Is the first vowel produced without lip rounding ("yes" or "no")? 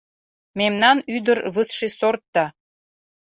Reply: yes